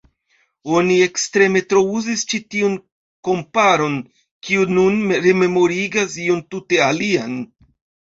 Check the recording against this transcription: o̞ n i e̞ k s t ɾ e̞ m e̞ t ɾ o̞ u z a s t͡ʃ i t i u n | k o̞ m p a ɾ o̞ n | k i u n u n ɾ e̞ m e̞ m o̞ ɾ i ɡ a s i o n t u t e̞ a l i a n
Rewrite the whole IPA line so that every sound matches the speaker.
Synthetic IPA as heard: o̞ n i e̞ k s t ɾ e̞ m e̞ t ɾ o̞ u z i s t͡ʃ i t i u n | k o̞ m p a ɾ o̞ n | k i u n u n ɾ e̞ m e̞ m o̞ ɾ i ɡ a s i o n t u t e̞ a l i a n